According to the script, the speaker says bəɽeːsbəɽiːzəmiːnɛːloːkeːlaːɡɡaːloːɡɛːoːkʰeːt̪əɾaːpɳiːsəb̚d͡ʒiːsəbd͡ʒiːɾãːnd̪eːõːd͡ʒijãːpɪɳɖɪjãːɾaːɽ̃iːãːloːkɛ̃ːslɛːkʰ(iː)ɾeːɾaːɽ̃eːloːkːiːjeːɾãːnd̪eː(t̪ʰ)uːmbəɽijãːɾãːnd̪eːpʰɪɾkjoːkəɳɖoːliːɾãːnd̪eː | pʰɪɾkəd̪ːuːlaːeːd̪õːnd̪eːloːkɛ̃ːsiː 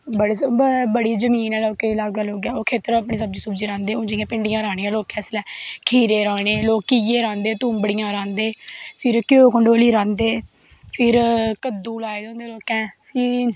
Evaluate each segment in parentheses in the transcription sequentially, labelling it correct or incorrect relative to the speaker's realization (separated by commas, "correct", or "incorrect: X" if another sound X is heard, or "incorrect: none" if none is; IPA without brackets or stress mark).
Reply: correct, incorrect: t̪